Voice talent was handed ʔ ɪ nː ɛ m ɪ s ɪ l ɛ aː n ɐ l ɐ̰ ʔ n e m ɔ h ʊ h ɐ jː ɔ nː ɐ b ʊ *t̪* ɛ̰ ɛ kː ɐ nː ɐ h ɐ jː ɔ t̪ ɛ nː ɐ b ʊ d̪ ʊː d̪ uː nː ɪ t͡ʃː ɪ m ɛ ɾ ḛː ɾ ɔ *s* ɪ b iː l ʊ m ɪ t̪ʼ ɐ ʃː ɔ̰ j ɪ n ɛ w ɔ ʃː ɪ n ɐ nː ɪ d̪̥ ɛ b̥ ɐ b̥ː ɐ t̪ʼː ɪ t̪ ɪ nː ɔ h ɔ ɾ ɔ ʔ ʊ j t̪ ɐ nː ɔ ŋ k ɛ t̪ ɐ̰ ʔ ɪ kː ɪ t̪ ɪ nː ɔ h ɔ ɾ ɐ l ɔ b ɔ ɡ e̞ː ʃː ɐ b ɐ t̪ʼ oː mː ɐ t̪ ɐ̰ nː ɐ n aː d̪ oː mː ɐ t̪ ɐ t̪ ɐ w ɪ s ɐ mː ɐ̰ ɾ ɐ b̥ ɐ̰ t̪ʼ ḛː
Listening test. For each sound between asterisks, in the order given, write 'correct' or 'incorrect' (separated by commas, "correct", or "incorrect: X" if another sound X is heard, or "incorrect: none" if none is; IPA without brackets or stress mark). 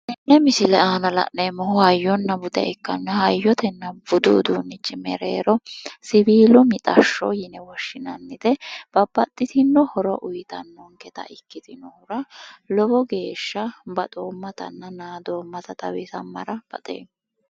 incorrect: d̪, correct